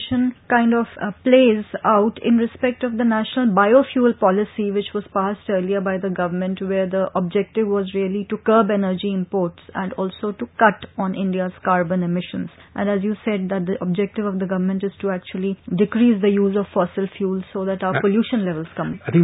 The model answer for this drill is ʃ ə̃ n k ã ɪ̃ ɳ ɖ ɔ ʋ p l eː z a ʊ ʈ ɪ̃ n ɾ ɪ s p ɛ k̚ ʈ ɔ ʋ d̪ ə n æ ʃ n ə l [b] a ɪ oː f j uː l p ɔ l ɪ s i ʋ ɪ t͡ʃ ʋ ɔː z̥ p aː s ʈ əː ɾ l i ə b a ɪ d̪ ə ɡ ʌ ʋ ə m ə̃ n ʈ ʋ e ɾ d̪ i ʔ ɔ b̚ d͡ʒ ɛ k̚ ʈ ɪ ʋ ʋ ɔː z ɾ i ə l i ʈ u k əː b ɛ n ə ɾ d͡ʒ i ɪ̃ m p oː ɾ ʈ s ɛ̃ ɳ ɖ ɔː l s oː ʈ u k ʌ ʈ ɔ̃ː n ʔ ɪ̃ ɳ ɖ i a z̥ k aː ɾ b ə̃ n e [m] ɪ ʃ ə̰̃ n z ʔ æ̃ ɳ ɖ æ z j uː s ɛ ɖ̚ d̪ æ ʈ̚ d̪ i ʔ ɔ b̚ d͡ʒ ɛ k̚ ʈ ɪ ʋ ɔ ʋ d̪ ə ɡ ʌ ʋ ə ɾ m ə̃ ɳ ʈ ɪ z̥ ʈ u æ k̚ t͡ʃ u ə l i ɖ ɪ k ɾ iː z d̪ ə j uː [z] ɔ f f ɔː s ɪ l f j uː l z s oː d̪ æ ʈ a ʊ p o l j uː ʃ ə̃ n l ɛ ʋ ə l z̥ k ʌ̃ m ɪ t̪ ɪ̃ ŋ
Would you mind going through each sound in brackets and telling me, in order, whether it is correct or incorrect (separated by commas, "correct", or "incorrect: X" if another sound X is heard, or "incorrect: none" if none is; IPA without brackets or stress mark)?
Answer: correct, correct, correct